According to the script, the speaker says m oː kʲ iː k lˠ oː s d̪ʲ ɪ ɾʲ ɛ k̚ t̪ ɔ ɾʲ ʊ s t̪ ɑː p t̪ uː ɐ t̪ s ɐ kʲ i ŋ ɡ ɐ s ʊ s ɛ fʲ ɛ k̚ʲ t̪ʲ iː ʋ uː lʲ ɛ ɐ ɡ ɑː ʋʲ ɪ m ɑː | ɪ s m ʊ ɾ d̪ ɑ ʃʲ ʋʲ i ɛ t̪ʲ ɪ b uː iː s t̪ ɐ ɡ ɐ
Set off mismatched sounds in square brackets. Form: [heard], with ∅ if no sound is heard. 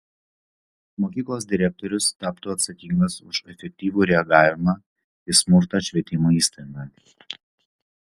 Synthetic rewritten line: m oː kʲ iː k lˠ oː s d̪ʲ ɪ ɾʲ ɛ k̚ t̪ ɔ ɾʲ ʊ s t̪ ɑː p t̪ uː ɐ t̪ s ɐ kʲ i ŋ ɡ ɐ s ʊ [ʃ] ɛ fʲ ɛ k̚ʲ t̪ʲ iː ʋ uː [ɾʲ] ɛ ɐ ɡ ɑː ʋʲ ɪ m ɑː | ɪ s m ʊ ɾ [t̪] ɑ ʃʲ ʋʲ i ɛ t̪ʲ ɪ [m] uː iː s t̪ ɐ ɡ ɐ